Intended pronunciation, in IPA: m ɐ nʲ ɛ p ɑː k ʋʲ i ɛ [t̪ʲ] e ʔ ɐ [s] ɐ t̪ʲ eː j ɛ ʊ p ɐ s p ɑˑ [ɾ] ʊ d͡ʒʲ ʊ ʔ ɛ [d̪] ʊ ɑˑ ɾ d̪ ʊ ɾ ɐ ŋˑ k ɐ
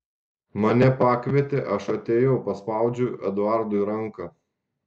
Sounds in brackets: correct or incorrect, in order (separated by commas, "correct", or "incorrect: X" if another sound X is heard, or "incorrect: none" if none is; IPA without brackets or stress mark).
correct, incorrect: ʃ, incorrect: none, correct